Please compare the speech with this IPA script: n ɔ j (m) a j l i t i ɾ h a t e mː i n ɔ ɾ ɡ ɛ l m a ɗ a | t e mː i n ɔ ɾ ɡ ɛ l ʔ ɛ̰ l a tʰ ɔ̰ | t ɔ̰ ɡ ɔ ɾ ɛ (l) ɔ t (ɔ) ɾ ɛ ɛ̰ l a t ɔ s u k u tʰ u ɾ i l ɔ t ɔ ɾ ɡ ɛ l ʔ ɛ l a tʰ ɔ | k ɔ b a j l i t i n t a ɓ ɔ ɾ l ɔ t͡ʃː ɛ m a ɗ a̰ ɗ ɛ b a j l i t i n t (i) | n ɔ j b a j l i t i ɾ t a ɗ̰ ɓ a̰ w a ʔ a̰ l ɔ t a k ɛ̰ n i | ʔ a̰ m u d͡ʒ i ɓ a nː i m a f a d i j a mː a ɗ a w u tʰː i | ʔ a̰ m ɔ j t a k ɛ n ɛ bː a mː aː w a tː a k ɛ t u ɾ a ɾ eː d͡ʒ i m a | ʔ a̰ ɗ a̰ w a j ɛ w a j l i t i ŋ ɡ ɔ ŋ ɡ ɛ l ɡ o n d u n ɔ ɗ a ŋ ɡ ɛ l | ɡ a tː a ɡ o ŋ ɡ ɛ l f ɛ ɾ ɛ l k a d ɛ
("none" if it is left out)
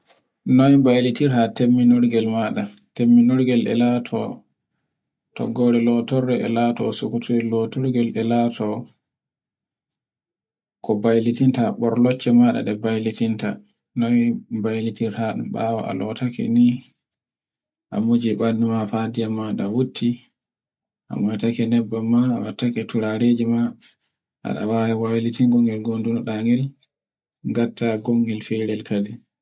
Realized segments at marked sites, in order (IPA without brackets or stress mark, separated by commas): b, l, ɔ, a